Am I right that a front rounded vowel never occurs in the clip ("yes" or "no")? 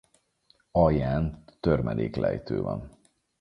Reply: no